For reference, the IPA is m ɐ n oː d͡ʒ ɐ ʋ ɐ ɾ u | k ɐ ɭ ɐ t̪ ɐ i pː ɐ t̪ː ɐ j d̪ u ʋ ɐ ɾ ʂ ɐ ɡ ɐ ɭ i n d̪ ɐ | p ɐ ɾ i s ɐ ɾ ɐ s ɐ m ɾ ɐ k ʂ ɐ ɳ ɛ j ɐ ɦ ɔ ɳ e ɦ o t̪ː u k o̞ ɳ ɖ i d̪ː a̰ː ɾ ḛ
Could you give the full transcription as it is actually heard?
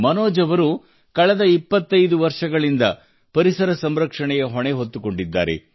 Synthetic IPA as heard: m ɐ n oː d͡ʒ ɐ ʋ ɐ ɾ u | k ɐ ɭ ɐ d̪ ɐ i pː ɐ t̪ː ɐ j d̪ u ʋ ɐ ɾ ʂ ɐ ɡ ɐ ɭ i n d̪ ɐ | p ɐ ɾ i s ɐ ɾ ɐ s ɐ m ɾ ɐ k ʂ ɐ ɳ ɛ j ɐ ɦ ɔ ɳ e ɦ o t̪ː u k o̞ ɳ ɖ i d̪ː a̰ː ɾ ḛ